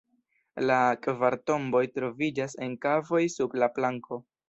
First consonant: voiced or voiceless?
voiced